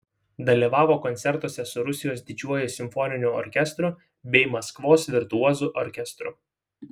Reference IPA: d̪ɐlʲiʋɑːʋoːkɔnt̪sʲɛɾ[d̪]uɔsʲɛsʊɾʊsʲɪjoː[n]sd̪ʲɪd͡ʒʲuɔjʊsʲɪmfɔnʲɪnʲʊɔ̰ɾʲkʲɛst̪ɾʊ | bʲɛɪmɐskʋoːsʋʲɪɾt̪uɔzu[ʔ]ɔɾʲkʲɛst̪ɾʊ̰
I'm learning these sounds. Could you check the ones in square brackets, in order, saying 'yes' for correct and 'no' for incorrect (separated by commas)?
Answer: no, no, yes